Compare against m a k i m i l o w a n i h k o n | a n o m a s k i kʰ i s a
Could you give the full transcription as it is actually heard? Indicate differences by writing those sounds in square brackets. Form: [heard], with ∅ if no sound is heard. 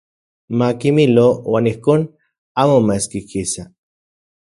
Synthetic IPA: m a k i m i l o w a n i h k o n | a [m] o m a s k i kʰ i s a